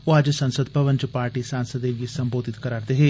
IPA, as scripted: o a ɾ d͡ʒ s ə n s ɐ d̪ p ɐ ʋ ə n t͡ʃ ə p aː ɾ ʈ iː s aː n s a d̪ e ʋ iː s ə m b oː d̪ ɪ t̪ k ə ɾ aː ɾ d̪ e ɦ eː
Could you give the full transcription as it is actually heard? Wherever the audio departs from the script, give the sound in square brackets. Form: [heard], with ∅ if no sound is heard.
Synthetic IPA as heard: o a [∅] d͡ʒ s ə n s [ə] d̪ p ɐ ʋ ə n t͡ʃ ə p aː ɾ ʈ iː s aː n s [ə] d̪ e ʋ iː s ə m b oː d̪ ɪ t̪ k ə ɾ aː ɾ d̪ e ɦ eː